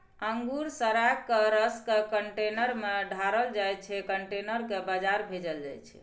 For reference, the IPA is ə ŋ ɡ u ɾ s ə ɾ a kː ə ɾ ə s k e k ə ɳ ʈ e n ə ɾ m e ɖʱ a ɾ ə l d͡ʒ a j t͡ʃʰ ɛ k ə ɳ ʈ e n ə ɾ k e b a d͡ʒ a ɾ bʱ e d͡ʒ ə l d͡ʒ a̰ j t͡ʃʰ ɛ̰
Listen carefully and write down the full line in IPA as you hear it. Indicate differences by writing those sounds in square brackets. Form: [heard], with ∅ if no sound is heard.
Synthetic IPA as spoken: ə ŋ ɡ u ɾ s ə ɾ a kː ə ɾ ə s k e k ə ɳ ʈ e n ə ɾ m e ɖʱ a ɾ ə l d͡ʒ a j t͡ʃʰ ɛ k ə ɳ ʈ e n ə ɾ k e b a d͡ʒ a ɾ bʱ e d͡ʒ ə l d͡ʒ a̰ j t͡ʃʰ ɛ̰